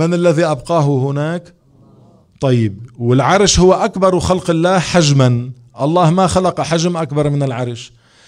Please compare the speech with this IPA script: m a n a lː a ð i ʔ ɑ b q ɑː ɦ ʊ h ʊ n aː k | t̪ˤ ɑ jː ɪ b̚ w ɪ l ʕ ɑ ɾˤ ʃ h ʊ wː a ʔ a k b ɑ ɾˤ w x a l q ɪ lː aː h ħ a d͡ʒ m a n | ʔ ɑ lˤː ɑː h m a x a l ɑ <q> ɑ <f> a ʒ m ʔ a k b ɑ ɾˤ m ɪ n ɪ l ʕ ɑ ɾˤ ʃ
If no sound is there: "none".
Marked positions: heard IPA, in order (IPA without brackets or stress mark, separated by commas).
q, ħ